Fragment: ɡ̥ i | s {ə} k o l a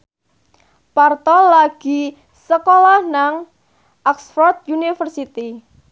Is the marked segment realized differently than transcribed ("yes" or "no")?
no